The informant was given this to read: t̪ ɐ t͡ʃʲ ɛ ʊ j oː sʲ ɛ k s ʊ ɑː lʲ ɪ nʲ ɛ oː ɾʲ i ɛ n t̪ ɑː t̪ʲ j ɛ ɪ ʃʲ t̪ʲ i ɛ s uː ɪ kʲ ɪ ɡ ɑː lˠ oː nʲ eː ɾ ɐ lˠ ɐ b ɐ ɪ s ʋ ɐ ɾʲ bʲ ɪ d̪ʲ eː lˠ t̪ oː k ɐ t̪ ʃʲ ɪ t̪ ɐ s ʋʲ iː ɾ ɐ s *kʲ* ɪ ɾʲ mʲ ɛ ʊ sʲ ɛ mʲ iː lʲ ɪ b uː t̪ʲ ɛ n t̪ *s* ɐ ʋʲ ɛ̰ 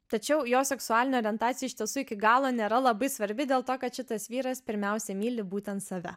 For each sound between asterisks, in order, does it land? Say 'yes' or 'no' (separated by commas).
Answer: no, yes